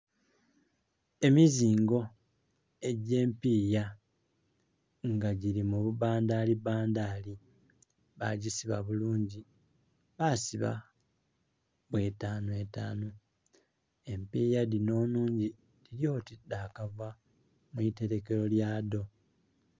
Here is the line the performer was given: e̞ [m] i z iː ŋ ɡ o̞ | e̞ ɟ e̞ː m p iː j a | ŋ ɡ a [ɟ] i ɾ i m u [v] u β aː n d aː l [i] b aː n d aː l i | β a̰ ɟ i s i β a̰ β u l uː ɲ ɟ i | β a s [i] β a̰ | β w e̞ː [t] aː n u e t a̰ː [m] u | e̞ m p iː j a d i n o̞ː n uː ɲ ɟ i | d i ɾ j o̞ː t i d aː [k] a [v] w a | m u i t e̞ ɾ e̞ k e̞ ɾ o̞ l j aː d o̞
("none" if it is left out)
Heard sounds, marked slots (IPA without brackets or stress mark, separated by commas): m, ɟ, β, i, i, t, n, k, v